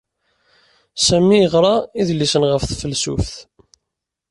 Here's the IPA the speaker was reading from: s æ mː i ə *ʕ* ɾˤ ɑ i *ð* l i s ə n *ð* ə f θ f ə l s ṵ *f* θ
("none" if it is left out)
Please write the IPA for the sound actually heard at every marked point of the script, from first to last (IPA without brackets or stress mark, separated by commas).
ʁ, ð, ʁ, f